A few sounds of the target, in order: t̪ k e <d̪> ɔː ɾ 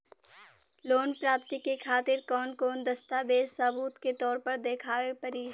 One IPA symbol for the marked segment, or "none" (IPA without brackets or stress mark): t̪